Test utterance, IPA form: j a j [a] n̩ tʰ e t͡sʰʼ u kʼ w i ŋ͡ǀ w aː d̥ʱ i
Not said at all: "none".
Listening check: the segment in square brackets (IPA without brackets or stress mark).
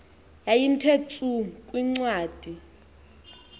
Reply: i